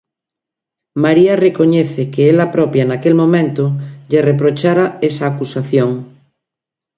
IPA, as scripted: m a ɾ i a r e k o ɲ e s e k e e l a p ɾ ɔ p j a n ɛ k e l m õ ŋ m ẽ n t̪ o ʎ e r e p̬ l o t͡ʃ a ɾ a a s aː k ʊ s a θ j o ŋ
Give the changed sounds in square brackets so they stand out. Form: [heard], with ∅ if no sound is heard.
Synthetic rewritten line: m a ɾ i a r e k o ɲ e [θ] e k e e l a p ɾ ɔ p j a n [a] k e l m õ [∅] m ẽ n t̪ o ʎ e r e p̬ [ɾ] o t͡ʃ a ɾ a [e] s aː k [u] s a θ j o ŋ